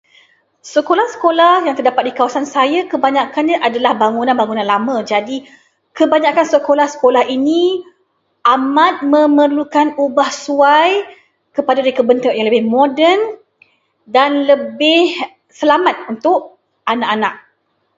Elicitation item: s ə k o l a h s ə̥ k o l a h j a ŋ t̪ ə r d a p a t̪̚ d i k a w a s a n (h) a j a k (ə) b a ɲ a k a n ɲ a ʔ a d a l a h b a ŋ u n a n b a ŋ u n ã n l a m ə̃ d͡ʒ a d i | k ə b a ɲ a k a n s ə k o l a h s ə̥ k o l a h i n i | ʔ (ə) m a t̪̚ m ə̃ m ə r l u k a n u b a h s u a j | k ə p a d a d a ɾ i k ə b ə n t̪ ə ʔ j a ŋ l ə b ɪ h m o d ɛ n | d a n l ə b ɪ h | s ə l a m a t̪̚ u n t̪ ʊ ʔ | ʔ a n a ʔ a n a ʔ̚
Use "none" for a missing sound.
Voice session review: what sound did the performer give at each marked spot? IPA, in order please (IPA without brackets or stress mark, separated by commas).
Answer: s, ə, a